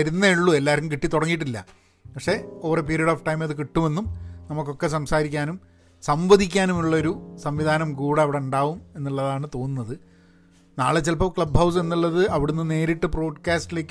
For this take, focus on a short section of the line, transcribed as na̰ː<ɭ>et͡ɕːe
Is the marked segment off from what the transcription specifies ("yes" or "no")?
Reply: no